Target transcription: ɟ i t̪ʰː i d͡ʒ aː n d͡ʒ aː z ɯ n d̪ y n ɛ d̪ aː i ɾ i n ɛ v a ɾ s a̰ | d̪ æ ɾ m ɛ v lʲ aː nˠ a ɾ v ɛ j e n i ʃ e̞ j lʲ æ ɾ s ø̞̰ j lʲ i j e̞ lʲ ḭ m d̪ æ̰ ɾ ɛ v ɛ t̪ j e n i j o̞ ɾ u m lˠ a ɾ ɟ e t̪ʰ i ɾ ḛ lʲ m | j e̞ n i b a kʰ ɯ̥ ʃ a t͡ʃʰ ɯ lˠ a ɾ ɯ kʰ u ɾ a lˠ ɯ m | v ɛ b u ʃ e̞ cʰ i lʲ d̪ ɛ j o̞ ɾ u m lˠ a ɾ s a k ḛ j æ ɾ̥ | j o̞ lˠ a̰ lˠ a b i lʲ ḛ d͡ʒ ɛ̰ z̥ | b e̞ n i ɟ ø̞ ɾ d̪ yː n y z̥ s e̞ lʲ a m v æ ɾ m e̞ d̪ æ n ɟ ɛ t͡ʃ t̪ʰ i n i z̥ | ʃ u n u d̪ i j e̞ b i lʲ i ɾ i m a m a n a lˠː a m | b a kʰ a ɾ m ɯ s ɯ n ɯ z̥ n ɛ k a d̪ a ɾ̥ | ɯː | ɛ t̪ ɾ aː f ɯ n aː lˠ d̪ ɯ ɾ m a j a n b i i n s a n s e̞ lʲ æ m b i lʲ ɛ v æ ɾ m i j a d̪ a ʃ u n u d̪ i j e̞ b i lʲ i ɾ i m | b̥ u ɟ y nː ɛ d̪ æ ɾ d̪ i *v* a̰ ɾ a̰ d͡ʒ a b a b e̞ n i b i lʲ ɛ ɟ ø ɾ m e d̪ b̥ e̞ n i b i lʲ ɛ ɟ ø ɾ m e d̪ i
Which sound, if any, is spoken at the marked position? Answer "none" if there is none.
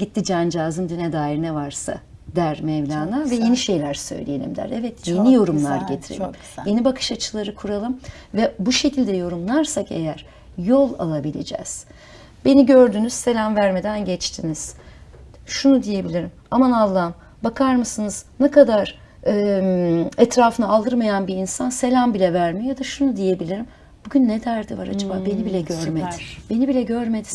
v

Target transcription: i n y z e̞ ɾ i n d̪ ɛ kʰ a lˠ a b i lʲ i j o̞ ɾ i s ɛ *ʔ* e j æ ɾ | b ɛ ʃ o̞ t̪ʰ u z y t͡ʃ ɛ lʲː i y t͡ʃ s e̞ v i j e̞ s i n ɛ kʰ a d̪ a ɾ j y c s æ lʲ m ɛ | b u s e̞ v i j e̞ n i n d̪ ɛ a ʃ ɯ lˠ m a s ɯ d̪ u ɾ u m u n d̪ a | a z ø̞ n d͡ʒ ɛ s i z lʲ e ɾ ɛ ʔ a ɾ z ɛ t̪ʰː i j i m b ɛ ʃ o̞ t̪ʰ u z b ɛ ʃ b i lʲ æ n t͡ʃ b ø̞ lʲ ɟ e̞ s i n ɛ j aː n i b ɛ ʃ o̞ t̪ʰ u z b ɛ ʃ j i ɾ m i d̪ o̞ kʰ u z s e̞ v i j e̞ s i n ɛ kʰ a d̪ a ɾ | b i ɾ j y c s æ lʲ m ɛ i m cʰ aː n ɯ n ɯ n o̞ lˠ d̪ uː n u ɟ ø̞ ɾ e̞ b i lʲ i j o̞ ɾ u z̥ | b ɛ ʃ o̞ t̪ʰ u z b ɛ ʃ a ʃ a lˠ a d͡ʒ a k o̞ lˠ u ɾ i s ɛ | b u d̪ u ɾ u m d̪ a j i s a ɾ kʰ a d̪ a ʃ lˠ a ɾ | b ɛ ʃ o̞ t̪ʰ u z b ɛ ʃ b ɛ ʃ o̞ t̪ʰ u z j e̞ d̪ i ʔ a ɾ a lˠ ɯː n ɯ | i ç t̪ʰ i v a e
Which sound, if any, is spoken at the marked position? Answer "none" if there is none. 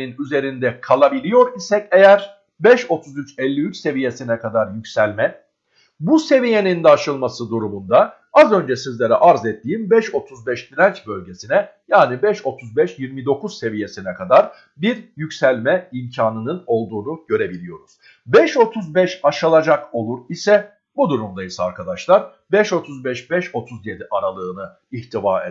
c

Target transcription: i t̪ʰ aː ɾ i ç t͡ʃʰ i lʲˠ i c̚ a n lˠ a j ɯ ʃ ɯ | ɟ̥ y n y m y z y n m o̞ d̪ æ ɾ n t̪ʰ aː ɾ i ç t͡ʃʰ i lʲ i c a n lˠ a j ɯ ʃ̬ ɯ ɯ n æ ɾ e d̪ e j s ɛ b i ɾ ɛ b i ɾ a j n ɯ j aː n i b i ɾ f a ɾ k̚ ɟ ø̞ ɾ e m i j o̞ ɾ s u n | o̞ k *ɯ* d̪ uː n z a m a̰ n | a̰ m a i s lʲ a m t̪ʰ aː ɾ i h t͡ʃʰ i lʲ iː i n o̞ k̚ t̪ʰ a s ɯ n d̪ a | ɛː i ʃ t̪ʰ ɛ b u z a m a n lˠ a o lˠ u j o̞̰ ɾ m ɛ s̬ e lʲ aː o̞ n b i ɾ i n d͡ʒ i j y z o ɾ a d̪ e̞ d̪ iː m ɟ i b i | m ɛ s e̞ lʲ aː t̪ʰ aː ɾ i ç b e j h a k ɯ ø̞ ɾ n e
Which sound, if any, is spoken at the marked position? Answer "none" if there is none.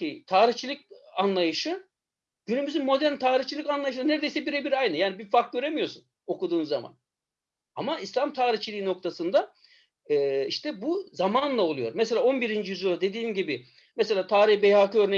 u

